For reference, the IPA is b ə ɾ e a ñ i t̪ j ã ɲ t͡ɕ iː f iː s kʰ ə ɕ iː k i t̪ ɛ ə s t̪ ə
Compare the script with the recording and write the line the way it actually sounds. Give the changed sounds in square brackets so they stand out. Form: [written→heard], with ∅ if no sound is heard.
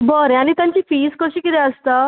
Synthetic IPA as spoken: b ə ɾ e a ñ i t̪ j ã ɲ t͡ɕ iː f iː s [kʰ→k] ə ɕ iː k i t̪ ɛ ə s t̪ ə